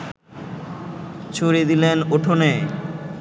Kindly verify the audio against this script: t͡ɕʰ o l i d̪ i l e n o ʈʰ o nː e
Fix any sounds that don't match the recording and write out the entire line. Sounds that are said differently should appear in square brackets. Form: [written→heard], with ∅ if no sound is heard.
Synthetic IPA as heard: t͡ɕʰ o [l→ɾ] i d̪ i l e n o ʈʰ o [nː→n] e

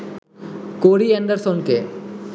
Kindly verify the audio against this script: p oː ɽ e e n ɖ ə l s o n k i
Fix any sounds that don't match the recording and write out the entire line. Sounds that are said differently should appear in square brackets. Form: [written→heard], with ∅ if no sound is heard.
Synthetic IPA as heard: [p→k] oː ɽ [e→i] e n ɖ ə [l→ɾ] s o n k [i→e]

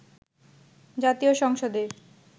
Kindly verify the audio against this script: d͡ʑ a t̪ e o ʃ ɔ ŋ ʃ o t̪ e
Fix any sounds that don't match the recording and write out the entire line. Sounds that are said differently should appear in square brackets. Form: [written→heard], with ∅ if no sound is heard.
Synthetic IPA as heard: d͡ʑ a t̪ [e→i] o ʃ ɔ ŋ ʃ o [t̪→d̪] e

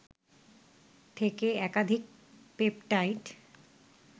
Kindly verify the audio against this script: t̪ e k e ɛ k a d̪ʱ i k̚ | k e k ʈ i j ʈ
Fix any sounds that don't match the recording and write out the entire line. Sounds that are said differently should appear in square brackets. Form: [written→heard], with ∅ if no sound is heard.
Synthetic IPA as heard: [t̪→t̪ʰ] e k e ɛ k a d̪ʱ i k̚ | [k→p] e [k→p] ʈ [i→a] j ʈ

